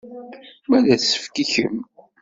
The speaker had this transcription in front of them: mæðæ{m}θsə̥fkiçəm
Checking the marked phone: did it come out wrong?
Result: yes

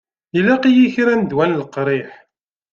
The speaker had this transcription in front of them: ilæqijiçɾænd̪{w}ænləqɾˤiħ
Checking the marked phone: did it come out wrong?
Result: no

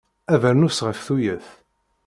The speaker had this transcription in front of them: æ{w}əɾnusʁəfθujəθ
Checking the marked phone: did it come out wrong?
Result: yes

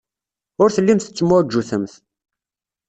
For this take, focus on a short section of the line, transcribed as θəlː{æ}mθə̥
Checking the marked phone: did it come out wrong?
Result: yes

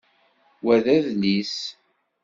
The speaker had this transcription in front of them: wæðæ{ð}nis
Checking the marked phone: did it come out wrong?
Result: no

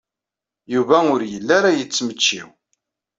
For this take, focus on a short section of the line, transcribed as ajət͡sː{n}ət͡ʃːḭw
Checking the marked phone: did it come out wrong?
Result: yes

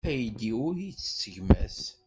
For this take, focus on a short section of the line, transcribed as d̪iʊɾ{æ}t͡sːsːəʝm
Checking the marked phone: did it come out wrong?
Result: yes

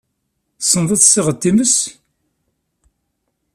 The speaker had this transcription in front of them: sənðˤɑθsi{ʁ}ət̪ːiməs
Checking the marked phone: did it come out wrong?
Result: no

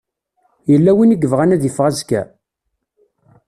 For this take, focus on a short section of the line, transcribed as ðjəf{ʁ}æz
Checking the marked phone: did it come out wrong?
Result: no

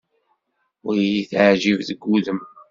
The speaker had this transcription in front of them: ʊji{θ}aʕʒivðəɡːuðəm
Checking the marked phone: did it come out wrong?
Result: no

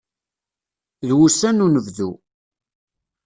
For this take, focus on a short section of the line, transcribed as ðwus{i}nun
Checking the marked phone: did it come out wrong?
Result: yes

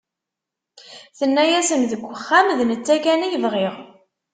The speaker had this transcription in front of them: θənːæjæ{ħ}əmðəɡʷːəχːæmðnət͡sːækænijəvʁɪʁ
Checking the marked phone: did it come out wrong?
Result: yes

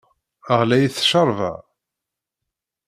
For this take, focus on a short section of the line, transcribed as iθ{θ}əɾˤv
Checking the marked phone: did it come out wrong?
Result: yes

